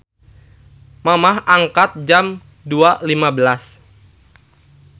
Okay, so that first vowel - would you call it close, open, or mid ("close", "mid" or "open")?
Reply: open